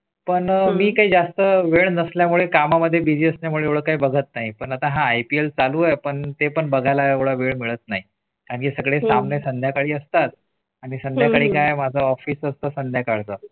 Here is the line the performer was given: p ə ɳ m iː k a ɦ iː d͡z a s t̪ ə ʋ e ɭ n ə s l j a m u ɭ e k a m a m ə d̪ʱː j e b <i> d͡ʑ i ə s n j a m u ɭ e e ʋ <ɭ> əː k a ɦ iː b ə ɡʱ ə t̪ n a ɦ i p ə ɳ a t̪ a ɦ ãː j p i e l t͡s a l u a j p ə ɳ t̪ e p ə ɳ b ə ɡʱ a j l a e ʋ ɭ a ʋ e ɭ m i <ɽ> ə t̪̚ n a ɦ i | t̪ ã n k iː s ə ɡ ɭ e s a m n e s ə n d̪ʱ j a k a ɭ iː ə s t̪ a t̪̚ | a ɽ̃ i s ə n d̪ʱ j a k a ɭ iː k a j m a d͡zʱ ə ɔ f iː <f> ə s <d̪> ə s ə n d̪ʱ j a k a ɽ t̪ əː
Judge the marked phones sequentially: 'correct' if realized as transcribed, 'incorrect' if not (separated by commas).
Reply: correct, correct, incorrect, incorrect, incorrect